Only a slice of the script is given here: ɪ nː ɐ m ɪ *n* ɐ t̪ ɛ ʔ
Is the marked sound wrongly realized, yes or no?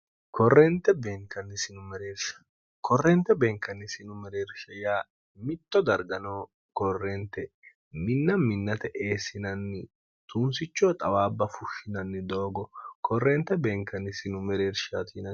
yes